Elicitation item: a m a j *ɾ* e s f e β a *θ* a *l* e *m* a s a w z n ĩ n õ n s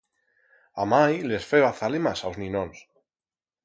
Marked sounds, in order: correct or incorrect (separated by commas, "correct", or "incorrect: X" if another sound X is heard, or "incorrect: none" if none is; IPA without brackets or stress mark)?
incorrect: l, correct, correct, correct